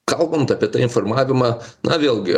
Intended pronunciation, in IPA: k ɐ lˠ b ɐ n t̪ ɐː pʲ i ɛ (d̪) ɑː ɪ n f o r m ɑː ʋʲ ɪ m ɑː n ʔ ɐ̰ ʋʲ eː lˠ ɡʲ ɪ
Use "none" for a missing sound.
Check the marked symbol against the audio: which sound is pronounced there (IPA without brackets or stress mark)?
t̪